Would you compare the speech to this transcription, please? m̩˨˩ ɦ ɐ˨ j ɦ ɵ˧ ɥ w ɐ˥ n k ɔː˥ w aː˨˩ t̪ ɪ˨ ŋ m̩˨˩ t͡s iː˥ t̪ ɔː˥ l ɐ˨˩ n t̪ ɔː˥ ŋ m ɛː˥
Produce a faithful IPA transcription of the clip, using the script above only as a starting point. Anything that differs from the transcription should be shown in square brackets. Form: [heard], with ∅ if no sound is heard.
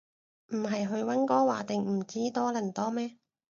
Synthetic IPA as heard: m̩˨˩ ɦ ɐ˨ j ɦ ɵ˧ ɥ w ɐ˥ n k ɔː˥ w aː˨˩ t̪ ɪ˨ ŋ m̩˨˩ t͡s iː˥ t̪ ɔː˥ l ɐ˨˩ n t̪ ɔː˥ [∅] m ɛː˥